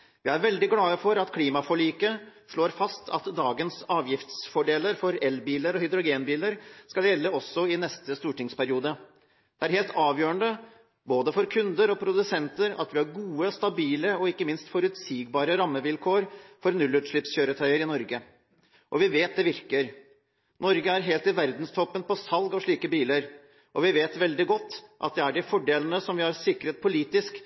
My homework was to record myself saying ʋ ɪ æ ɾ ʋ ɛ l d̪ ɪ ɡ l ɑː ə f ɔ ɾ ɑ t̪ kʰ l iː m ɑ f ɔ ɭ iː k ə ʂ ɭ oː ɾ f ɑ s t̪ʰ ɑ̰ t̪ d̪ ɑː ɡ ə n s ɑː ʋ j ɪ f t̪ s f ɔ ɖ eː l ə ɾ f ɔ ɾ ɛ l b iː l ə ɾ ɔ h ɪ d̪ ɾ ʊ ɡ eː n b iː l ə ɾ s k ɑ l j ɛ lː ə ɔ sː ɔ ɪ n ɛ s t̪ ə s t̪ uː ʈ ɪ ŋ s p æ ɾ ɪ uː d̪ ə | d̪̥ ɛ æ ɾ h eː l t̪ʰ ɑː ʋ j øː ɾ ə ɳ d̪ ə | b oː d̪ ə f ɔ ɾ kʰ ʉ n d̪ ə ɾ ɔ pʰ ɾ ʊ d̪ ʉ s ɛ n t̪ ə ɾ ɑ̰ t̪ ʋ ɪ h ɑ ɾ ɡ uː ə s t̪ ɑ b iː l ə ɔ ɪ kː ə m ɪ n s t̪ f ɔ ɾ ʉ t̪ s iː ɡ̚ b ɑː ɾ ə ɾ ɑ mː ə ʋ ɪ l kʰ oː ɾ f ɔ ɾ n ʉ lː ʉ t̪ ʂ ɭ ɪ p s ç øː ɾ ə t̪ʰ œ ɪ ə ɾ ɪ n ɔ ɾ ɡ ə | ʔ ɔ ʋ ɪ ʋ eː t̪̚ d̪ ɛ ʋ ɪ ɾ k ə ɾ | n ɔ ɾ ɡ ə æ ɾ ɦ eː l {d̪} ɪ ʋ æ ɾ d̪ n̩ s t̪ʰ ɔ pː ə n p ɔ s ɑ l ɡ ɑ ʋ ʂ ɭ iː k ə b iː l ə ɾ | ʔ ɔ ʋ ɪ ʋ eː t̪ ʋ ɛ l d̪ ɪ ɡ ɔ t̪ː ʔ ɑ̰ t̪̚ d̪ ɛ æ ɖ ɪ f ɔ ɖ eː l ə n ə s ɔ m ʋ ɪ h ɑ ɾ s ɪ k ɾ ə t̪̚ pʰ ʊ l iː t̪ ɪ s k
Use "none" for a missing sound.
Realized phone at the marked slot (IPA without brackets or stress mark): t̪